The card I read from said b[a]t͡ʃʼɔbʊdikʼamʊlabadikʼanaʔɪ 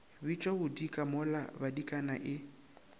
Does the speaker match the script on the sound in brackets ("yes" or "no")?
no